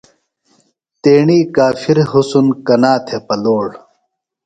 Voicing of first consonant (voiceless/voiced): voiceless